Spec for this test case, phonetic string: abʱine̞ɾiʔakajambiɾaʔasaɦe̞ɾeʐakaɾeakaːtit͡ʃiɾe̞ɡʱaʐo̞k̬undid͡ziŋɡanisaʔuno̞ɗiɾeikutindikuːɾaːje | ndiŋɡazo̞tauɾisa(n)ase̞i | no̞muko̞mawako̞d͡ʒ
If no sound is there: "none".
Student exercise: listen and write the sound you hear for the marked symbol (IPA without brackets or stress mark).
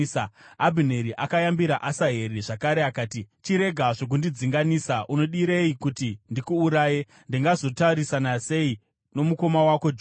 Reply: n